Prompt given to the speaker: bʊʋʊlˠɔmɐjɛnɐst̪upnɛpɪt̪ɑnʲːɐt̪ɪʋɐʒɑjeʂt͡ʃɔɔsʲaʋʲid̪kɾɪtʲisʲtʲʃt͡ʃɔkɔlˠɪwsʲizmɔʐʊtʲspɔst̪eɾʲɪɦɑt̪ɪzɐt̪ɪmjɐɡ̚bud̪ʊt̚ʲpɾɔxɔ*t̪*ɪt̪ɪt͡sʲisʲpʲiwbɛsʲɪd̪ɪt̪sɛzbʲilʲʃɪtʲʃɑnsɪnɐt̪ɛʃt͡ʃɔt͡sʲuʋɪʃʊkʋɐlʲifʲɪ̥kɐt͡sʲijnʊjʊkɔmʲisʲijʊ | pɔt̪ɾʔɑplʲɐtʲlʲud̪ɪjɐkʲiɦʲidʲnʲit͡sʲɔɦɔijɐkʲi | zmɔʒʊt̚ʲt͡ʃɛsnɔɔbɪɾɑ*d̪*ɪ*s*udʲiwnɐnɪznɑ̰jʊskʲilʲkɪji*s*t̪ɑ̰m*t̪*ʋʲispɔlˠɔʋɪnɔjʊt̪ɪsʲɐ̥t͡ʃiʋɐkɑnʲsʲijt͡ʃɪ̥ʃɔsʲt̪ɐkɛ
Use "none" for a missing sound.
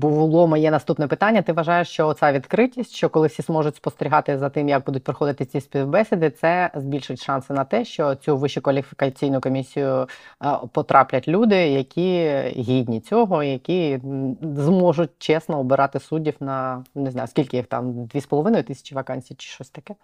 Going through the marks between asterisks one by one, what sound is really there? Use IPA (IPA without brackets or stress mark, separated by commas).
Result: d̪, t̪, s, x, d̪